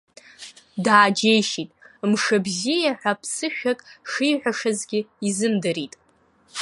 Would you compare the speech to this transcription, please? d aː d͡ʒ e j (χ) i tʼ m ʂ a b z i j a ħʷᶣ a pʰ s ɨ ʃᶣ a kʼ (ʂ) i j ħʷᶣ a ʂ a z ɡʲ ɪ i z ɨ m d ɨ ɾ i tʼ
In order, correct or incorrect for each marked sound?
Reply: incorrect, correct

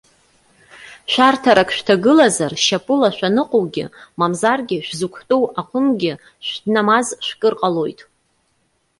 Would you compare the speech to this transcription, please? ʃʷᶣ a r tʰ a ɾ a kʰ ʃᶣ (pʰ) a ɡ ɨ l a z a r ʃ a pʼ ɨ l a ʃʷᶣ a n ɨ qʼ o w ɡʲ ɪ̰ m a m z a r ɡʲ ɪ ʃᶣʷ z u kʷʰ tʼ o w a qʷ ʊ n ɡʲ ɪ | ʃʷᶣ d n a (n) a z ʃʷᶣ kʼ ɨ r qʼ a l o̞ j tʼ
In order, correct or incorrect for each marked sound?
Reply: incorrect, incorrect

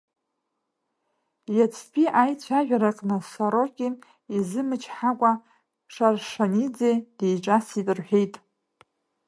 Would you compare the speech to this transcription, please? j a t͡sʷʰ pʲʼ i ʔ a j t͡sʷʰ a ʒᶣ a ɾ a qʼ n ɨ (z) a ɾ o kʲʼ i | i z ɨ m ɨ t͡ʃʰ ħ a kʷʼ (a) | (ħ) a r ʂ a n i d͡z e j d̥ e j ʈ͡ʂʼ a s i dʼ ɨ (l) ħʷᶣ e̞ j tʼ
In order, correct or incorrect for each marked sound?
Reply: incorrect, correct, incorrect, incorrect

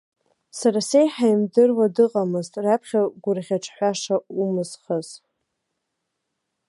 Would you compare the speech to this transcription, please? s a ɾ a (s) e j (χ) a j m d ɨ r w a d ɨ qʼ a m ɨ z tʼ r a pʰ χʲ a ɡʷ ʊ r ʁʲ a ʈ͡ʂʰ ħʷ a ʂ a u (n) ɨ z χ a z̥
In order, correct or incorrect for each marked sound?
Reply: correct, incorrect, incorrect

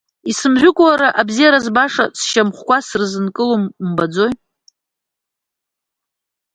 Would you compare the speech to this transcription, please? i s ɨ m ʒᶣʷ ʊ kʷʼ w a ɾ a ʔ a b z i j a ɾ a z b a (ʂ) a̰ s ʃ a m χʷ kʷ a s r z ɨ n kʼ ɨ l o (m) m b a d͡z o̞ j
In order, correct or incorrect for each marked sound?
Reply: correct, correct

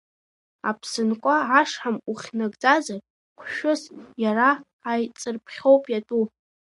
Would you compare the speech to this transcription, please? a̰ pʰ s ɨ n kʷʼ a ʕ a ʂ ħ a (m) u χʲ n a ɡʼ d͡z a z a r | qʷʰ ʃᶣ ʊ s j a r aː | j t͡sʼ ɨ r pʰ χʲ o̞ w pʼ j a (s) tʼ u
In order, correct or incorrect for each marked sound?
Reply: correct, incorrect

